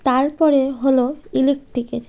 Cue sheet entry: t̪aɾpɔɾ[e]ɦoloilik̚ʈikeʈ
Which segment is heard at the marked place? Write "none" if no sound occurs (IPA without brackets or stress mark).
e